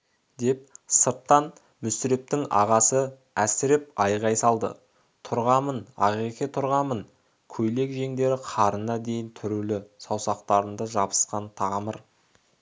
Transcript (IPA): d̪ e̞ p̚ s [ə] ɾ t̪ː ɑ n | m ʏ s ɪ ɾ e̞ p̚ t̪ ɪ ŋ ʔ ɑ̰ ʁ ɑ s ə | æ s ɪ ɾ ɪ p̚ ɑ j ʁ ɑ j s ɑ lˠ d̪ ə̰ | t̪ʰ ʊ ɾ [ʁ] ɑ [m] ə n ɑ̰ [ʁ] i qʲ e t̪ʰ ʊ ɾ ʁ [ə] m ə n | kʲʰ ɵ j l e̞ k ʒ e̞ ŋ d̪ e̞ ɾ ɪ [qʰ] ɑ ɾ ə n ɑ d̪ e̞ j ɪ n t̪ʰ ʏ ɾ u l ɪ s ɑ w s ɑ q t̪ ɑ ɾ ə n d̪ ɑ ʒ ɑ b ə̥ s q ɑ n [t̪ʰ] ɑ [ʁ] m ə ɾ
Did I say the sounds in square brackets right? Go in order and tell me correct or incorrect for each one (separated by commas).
correct, correct, correct, correct, incorrect, correct, correct, correct